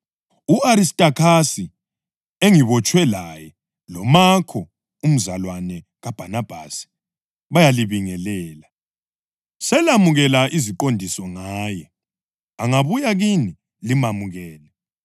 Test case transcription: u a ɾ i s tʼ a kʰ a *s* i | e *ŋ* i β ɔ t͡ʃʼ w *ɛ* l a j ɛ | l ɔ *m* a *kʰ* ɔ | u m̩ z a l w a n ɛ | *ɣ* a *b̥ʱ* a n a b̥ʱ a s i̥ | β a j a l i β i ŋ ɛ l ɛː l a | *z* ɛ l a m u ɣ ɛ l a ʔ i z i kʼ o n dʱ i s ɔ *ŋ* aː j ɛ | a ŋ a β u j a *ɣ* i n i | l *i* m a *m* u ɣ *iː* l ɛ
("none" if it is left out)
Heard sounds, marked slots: s, ŋ, ɛ, m, kʰ, ɣ, b̥ʱ, s, ŋ, ɣ, i, m, ɛː

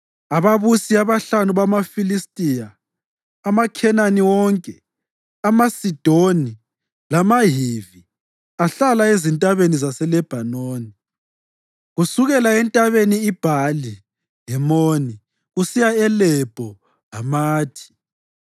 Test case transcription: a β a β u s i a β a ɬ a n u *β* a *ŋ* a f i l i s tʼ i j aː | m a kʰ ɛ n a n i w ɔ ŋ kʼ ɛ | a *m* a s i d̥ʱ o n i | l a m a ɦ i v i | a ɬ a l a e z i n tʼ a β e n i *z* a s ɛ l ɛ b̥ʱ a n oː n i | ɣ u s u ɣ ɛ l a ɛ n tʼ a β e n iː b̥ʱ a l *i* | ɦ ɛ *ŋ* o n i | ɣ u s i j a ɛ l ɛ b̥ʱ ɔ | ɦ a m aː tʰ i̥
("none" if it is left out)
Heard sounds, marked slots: β, m, m, z, i, m

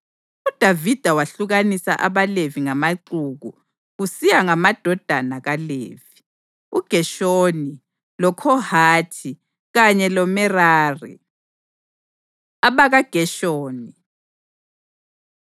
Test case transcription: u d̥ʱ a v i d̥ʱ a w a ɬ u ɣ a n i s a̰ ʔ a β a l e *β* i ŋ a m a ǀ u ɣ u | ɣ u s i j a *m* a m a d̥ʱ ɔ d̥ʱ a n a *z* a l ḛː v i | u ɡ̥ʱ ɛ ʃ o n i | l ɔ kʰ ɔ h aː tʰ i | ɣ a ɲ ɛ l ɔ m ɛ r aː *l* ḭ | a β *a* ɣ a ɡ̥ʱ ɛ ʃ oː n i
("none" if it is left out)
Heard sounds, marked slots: v, ŋ, ɣ, r, a

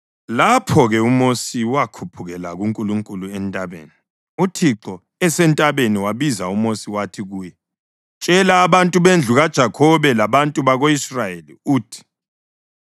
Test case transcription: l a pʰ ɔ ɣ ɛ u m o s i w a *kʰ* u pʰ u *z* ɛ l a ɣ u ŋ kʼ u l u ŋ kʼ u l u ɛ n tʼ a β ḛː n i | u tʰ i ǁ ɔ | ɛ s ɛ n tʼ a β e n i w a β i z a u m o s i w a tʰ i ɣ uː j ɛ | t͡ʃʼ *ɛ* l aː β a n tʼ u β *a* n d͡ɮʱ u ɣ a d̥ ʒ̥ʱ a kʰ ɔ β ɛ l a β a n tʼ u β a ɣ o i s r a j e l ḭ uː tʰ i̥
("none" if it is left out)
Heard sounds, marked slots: kʰ, ɣ, ɛ, e

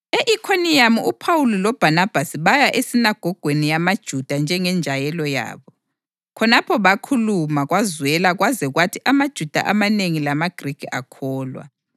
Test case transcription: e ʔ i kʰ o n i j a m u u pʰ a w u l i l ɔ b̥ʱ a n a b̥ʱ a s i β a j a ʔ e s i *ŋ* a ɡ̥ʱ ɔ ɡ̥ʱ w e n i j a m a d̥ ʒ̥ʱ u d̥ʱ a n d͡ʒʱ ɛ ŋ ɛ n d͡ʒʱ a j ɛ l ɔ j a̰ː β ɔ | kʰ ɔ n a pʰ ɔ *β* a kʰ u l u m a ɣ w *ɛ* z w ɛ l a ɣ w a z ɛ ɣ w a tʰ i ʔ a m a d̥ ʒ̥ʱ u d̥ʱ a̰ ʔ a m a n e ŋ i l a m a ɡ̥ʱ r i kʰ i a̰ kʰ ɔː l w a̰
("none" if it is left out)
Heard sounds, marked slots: n, β, a

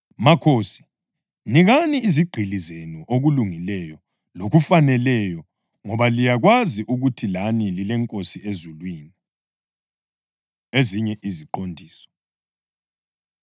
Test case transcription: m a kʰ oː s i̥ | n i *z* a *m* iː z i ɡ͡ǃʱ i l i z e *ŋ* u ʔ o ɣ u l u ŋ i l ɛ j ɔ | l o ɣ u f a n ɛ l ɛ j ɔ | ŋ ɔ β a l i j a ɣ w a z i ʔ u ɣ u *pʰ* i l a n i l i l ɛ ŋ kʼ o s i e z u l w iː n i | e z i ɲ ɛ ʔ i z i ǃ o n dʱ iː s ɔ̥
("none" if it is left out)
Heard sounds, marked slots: ɣ, n, n, tʰ

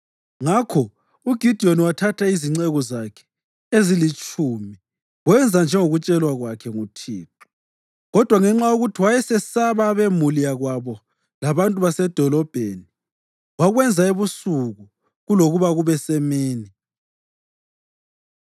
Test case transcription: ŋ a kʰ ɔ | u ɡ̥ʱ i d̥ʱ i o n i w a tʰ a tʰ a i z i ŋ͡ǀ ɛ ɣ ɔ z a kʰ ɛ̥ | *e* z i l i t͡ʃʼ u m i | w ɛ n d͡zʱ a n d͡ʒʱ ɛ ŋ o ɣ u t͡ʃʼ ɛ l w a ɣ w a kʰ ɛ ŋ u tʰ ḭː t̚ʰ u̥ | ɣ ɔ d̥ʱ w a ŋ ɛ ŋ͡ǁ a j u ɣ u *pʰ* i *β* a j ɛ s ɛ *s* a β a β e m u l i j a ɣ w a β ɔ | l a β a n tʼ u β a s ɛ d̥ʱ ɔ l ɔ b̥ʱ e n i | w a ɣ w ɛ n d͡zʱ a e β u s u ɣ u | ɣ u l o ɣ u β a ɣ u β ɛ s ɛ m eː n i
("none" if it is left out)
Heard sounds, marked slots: e, tʰ, w, s

